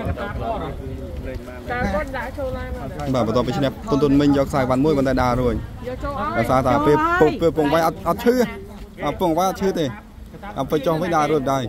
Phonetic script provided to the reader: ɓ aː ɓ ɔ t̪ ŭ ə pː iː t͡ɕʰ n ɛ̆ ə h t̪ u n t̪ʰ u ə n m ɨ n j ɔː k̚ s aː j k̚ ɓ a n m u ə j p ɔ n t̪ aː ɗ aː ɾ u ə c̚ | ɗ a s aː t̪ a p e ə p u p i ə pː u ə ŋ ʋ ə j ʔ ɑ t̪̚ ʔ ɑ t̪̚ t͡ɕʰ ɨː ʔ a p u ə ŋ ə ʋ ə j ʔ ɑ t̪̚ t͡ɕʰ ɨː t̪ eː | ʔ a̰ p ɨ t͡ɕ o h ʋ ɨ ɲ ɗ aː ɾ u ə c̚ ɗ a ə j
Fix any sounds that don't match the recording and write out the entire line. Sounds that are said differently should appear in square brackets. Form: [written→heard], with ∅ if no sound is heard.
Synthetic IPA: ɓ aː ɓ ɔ t̪ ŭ ə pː iː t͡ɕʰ n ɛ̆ ə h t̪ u n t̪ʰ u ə n m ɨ [n→ɲ] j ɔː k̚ s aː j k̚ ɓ a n m u ə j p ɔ n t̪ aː ɗ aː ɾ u ə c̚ | ɗ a s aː t̪ a p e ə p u p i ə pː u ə ŋ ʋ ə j ʔ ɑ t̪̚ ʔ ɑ t̪̚ t͡ɕʰ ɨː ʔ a p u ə ŋ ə ʋ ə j ʔ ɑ t̪̚ t͡ɕʰ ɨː t̪ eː | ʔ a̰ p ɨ t͡ɕ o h ʋ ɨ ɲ ɗ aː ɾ u ə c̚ ɗ a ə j